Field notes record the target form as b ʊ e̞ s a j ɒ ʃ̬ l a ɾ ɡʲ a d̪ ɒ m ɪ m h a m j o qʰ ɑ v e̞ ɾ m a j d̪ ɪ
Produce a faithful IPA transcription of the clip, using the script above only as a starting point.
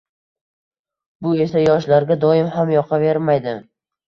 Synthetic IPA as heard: b ʊ e̞ s a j ɒ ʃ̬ l a ɾ ɡʲ a d̪ ɒ ɪ m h a m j ɒ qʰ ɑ v e̞ ɾ m a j d̪ ɪ